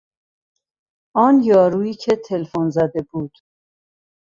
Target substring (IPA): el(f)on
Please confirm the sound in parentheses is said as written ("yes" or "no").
yes